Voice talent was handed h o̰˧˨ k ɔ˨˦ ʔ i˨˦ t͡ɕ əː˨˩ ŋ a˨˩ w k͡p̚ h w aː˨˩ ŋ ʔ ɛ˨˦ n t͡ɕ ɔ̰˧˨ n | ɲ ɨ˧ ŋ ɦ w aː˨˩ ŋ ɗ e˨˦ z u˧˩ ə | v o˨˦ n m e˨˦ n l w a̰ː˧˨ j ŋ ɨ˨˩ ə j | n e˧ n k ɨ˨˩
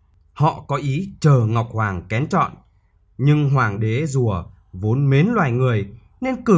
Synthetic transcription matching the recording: h ɔ̰˧˨ k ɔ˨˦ ʔ i˨˦ t͡ɕ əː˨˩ ŋ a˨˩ w k͡p̚ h w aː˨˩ ŋ k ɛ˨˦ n t͡ɕ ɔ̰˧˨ n | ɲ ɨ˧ ŋ ɦ w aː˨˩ ŋ ɗ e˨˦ z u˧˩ ə | v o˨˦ n m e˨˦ n l w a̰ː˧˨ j ŋ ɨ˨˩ ə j | n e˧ n k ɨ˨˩